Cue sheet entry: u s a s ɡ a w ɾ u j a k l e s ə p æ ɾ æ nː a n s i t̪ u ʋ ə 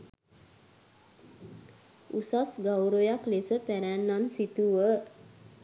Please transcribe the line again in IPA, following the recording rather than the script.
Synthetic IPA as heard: u s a s ɡ a w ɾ o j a k l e s ə p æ ɾ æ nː a n s i t̪ u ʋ ə